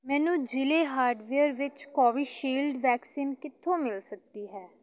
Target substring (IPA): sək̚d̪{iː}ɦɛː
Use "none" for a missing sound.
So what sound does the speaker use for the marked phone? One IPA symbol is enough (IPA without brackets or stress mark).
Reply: iː